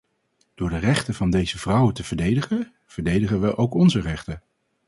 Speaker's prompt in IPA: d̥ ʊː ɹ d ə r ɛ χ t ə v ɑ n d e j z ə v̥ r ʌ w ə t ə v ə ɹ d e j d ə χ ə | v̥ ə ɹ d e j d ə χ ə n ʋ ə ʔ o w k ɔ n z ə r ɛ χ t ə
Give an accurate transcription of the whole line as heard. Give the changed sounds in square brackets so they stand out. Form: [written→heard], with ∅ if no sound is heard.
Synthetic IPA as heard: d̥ ʊː ɹ d ə r ɛ χ t ə v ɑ n d e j z ə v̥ r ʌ w ə t ə v ə ɹ d e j d ə χ ə | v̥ ə ɹ d e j d ə χ ə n ʋ ə ʔ o w k ɔ n z ə r ɛ χ t ə